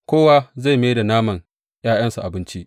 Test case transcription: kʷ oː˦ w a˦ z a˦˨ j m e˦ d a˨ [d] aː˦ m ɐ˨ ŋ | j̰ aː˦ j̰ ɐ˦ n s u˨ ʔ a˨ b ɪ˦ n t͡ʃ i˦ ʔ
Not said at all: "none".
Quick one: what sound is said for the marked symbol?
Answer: n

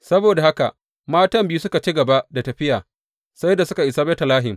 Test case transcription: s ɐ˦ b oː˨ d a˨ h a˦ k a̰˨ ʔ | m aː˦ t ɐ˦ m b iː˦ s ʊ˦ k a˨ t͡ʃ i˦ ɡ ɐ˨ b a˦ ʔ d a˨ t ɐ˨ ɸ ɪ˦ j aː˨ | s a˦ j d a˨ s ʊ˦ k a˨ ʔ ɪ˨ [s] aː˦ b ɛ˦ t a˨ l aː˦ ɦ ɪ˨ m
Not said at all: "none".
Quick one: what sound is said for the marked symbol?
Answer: s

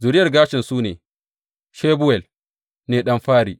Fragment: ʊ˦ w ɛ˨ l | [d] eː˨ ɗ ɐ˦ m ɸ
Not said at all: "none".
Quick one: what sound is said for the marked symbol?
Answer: n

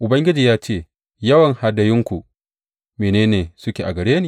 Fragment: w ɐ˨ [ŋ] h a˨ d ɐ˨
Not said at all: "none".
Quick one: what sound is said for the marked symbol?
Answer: ŋ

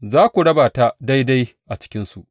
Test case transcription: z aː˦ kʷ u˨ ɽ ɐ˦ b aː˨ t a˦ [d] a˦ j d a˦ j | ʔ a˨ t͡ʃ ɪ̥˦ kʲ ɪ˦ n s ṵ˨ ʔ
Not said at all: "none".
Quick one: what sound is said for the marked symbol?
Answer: d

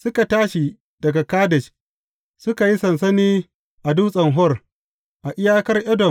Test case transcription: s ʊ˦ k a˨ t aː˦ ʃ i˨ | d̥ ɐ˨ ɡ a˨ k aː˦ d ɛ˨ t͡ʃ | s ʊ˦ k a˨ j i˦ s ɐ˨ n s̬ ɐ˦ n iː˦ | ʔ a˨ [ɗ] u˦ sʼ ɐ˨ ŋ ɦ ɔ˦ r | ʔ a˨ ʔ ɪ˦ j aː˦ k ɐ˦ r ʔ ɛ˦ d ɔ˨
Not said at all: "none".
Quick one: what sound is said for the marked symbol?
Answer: d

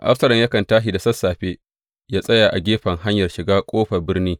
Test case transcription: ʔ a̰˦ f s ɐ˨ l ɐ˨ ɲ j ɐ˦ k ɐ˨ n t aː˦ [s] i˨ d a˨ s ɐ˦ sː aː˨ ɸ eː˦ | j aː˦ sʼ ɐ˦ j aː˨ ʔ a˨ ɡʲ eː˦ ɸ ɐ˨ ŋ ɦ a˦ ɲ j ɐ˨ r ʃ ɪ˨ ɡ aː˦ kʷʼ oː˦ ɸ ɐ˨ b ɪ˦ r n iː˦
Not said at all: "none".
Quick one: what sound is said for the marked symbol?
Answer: ʃ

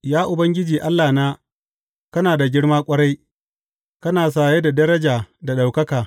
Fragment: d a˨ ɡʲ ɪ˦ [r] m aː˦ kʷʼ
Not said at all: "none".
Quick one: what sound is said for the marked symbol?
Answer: ɽ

